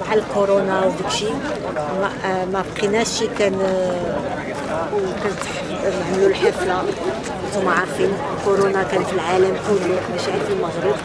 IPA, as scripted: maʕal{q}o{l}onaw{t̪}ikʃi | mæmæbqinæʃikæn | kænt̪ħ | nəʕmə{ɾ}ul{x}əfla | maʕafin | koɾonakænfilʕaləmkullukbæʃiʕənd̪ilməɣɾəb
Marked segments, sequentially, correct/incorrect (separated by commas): incorrect, incorrect, incorrect, incorrect, incorrect